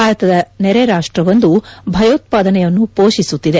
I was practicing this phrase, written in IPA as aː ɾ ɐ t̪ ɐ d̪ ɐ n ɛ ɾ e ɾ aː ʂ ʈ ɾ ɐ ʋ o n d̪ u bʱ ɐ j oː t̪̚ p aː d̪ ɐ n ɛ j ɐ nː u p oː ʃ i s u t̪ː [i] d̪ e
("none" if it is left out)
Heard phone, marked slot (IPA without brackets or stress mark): i